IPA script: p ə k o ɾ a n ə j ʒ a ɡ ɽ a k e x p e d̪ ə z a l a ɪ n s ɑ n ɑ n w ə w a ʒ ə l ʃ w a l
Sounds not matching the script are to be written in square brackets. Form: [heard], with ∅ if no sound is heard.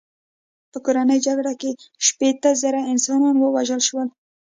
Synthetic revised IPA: p ə k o ɾ a n ə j [d͡ʒ] a ɡ ɽ a k e [ʃ] p e [t̪] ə z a [ɾ] a ɪ n s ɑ n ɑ n w ə w a ʒ ə l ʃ w [ə] l

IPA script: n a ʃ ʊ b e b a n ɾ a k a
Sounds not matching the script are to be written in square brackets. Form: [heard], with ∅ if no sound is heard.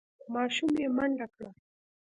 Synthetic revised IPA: [m] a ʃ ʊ [m] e [m] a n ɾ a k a

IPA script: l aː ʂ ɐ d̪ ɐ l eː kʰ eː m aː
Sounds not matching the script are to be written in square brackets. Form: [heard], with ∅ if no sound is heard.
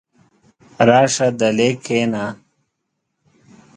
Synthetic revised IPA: [ɾ] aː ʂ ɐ d̪ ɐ l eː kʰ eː [n] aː

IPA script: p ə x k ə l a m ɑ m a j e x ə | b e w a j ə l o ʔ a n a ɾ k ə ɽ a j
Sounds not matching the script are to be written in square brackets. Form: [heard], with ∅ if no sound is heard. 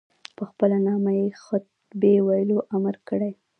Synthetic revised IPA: p ə x [p] ə l a [n] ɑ m a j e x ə | b e w a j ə l o ʔ a [m] a ɾ k ə ɽ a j

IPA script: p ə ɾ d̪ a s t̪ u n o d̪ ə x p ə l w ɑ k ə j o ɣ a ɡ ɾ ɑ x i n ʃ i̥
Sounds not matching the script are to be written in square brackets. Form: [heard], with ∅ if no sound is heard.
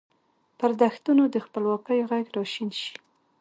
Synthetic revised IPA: p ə ɾ d̪ a [x] t̪ u n o d̪ ə x p ə l w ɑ k ə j o ɣ a ɡ ɾ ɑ [ʃ] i n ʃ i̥

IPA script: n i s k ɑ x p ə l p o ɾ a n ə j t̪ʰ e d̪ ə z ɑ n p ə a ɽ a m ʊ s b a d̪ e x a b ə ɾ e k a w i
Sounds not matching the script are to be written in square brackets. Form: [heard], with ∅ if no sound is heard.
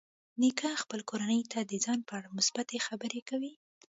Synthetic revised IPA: n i [∅] k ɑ x p ə l [k] o ɾ a n ə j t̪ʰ [a] d̪ ə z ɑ n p ə a ɽ a m ʊ s b a [t̪] e x a b ə ɾ e k a w i

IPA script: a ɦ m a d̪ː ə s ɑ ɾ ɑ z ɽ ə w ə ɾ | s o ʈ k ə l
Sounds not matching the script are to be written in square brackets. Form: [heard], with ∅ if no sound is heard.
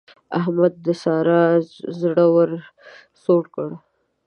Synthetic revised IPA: a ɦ m a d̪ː ə s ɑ ɾ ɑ z ɽ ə w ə ɾ | s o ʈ k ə [ɽ]

